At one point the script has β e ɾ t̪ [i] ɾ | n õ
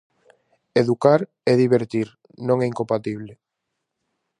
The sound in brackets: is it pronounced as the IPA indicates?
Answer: yes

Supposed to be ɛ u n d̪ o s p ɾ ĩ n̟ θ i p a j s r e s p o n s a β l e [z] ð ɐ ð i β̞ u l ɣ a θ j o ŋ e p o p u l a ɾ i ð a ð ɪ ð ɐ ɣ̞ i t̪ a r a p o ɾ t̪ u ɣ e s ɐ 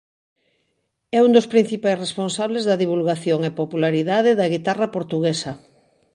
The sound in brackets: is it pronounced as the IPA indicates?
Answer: yes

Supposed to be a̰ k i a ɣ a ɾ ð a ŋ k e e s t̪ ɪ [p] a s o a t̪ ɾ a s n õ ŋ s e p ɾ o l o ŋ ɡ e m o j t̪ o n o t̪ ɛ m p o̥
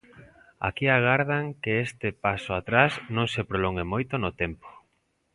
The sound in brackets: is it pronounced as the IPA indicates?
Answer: yes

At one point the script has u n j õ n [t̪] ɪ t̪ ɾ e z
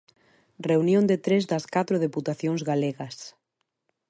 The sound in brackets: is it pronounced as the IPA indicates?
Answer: no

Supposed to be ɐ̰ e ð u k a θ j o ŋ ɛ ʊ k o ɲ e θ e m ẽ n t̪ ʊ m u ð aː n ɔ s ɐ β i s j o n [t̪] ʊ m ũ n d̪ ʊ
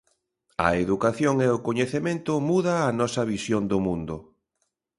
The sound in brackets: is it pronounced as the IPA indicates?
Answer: no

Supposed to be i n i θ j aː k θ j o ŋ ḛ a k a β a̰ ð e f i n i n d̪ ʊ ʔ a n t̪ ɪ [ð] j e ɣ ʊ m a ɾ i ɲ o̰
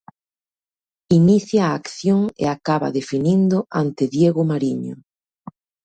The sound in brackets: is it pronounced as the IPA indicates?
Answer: yes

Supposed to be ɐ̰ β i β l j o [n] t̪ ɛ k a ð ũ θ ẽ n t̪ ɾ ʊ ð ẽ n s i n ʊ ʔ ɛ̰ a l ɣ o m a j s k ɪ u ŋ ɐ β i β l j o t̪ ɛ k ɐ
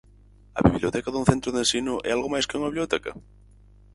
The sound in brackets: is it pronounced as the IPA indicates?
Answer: no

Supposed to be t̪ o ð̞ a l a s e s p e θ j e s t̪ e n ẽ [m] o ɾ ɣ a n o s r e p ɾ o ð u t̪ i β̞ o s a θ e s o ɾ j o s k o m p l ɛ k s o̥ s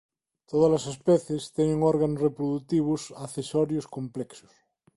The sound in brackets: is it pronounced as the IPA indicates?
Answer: no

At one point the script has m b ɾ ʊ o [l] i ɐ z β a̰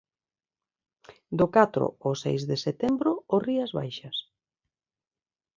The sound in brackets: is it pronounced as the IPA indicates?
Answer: no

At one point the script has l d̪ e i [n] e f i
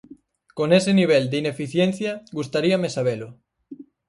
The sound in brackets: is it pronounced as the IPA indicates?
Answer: yes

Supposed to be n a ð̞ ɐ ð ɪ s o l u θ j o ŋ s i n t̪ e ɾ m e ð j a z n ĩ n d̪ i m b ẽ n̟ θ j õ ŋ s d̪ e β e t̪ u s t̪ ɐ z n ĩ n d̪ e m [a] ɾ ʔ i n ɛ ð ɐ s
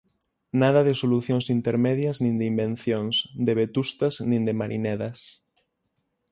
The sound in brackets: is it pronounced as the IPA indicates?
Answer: yes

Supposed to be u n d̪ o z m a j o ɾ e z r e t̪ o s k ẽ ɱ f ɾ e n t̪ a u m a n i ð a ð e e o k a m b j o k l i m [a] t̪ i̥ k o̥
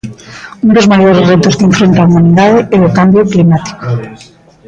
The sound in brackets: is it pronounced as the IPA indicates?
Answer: yes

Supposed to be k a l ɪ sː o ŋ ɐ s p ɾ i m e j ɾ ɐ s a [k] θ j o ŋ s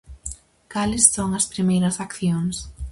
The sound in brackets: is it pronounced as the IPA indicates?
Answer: yes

